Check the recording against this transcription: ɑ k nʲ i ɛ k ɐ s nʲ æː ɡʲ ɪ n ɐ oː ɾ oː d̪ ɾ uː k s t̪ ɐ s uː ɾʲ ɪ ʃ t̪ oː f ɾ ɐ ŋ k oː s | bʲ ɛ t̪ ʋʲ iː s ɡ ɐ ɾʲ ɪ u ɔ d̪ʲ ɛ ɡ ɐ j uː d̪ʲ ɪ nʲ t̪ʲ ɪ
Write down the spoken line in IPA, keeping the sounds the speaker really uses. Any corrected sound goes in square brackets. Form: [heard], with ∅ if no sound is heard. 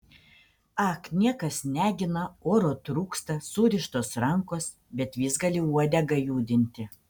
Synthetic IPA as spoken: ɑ k nʲ i ɛ k ɐ s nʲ æː ɡʲ ɪ n ɐ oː ɾ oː [t̪] ɾ uː k s t̪ ɐ s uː ɾʲ ɪ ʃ t̪ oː [s] ɾ ɐ ŋ k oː s | bʲ ɛ t̪ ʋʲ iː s ɡ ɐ [lʲ] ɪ u ɔ d̪ʲ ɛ ɡ ɐ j uː d̪ʲ ɪ nʲ t̪ʲ ɪ